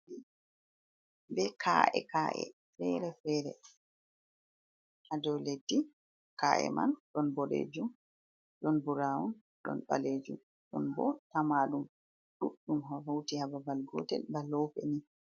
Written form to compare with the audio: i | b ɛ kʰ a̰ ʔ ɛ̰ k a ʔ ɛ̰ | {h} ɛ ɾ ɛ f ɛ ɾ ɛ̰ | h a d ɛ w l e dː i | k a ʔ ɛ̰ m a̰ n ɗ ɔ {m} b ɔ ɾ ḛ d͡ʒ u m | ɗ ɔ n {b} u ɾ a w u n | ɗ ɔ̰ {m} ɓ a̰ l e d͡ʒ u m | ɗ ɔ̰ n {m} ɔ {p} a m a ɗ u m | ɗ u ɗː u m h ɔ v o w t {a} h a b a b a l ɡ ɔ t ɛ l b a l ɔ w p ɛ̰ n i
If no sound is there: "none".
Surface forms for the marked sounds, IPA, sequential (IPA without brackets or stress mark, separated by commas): f, n, b, n, b, t, i